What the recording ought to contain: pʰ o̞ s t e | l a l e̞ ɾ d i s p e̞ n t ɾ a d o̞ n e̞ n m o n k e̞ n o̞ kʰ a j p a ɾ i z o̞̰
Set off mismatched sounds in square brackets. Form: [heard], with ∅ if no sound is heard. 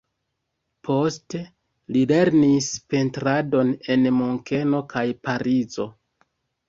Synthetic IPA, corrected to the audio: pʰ o̞ s t e | l [i] l e̞ ɾ [n] i s p e̞ n t ɾ a d o̞ n e̞ n m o [ŋ] k e̞ n o̞ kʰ a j p a ɾ i z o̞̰